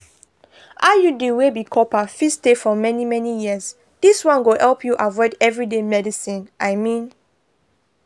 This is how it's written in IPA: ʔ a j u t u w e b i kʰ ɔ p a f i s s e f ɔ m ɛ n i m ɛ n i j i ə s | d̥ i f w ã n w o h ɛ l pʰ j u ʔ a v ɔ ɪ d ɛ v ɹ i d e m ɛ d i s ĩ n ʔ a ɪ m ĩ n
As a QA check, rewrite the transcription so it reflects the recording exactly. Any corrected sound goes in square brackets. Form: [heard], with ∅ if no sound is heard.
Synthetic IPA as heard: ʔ a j u [d] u w e b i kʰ ɔ p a f i s [t] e f ɔ m ɛ n i m ɛ n i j i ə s | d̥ i [s] w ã n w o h ɛ l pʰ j u ʔ a v ɔ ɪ d ɛ v ɹ i d e m ɛ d i s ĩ n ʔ a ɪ m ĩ n